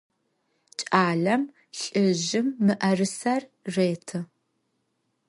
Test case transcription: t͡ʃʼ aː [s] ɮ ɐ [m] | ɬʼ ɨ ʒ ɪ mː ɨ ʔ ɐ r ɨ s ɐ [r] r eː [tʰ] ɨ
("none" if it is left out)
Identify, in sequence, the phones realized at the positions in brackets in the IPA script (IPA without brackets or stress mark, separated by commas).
none, m, r, tʰ